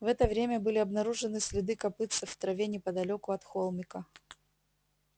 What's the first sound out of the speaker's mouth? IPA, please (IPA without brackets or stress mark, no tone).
v